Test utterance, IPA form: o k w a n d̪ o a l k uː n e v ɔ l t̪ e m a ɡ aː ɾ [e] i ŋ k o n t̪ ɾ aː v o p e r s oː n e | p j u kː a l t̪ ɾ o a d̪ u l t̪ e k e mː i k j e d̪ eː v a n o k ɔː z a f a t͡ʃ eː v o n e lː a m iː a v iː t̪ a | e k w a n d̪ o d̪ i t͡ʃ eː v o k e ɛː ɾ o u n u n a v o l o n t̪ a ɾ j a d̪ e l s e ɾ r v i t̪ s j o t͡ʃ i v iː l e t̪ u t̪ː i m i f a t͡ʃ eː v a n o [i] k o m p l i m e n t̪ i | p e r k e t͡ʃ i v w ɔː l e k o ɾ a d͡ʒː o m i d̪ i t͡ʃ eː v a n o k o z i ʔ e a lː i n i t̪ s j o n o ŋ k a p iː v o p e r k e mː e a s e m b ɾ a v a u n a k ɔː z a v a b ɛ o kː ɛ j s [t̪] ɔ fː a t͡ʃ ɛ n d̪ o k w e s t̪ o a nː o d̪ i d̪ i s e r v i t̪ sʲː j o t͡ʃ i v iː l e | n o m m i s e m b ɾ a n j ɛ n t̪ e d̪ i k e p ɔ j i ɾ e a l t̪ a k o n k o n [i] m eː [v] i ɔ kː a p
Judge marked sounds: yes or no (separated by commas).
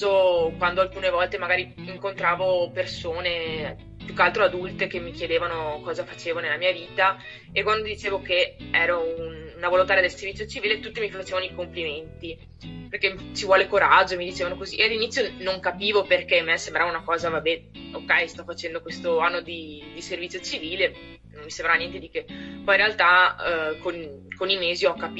no, yes, yes, yes, no